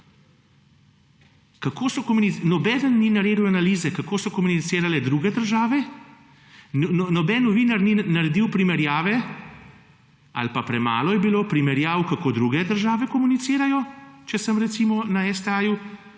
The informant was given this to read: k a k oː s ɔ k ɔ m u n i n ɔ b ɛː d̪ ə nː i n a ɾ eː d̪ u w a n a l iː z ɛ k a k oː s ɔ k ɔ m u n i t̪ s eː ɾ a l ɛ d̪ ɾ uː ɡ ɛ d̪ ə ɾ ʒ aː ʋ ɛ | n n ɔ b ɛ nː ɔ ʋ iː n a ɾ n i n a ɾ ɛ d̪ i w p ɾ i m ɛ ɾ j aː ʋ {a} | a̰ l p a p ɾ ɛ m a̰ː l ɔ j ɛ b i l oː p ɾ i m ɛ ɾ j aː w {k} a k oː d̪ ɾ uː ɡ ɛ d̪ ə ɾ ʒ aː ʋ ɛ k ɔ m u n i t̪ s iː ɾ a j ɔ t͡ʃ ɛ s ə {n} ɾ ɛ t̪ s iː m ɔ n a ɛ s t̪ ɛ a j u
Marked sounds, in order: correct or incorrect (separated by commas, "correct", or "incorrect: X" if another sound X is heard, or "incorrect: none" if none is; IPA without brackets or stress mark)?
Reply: incorrect: ɛ, correct, incorrect: m